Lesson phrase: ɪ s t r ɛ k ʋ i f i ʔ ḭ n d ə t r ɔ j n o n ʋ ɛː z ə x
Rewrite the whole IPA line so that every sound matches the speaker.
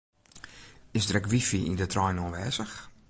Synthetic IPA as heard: ɪ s d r ɛ k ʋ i f i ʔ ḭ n d ə t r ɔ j n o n ʋ ɛː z ə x